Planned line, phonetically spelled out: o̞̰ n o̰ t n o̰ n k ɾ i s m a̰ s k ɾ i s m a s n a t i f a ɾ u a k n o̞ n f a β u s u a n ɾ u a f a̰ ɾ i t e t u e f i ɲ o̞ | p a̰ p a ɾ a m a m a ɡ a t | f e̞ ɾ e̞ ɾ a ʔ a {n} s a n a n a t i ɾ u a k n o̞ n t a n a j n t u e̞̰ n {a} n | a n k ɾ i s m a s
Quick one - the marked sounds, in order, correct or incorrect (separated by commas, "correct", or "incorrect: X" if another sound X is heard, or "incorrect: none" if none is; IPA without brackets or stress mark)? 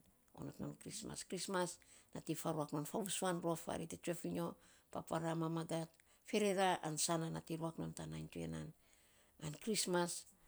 correct, correct